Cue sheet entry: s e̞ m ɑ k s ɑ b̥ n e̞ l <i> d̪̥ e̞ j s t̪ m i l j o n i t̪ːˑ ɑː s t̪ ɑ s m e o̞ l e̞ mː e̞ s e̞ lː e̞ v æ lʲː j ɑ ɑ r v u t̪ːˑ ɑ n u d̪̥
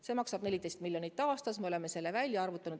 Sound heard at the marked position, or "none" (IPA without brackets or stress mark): i